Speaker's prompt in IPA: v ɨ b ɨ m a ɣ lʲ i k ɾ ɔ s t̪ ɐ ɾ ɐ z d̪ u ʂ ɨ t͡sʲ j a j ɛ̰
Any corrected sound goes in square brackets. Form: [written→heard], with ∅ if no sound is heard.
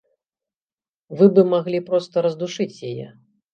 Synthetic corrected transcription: v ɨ b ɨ m a ɣ lʲ i [k→p] ɾ ɔ s t̪ ɐ ɾ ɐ z d̪ u ʂ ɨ t͡sʲ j a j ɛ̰